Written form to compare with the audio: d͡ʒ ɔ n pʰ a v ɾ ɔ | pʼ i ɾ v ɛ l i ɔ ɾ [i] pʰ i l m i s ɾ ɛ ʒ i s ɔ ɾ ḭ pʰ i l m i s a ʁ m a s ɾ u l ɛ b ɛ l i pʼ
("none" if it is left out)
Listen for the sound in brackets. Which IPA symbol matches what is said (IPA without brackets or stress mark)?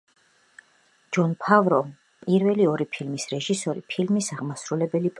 i